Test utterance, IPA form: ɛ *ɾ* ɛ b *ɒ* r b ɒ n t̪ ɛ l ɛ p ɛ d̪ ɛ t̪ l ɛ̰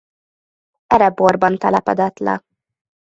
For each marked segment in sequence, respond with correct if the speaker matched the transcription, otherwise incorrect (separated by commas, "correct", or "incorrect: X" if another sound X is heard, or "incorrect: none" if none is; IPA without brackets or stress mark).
correct, incorrect: o